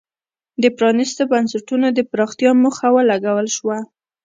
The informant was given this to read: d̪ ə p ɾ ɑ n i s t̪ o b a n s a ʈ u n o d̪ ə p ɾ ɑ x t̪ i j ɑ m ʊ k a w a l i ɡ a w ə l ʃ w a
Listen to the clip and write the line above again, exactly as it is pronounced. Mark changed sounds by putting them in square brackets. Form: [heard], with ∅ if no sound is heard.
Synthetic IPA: d̪ ə p ɾ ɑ n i s t̪ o b a n s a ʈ u n o d̪ ə p ɾ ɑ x t̪ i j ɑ m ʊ [x] a w a l [a] ɡ a w ə l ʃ w a